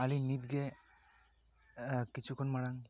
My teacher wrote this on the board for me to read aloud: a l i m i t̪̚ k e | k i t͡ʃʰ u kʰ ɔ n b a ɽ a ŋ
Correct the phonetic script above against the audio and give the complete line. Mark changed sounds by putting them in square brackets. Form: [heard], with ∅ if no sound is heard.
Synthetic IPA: a l i [n] i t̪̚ [ɡ] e | k i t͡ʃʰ u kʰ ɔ n [m] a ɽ a ŋ